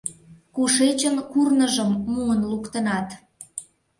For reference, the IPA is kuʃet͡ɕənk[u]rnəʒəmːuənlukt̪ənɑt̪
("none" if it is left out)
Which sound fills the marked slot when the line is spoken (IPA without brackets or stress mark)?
u